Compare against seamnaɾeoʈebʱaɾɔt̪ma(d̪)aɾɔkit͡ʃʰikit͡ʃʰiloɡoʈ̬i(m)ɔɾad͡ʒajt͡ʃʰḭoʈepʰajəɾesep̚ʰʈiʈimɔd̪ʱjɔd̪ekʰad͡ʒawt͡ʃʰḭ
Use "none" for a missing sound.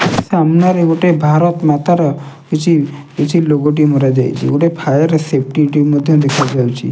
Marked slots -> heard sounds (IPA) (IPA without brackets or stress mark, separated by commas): t̪, m